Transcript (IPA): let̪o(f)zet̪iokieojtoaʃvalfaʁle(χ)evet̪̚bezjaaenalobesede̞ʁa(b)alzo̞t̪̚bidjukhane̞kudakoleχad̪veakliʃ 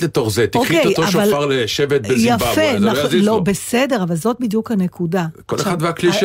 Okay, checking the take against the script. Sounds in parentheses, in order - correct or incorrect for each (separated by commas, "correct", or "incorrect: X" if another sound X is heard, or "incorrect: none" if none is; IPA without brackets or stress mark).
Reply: incorrect: χ, incorrect: ʃ, incorrect: v